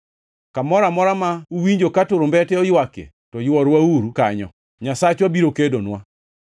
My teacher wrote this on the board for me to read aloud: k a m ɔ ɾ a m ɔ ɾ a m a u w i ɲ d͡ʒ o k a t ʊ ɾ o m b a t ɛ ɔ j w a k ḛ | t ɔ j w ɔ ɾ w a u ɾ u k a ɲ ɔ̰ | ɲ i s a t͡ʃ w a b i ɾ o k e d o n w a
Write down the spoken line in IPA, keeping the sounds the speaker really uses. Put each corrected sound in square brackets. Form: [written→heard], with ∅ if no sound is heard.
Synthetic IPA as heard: k a m ɔ ɾ a m ɔ ɾ a m a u w i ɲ d͡ʒ o k a t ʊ ɾ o m b [a→ɛ] t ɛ ɔ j w a k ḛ | t ɔ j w ɔ ɾ w a u ɾ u k a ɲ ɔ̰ | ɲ [i→a] s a t͡ʃ w a b i ɾ o k e d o n w a